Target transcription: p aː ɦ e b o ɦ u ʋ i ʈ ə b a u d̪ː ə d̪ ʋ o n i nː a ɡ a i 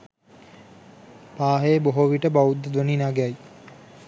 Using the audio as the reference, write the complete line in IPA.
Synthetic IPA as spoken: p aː ɦ e b o ɦ o ʋ i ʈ ə b a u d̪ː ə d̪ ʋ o n i n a ɡ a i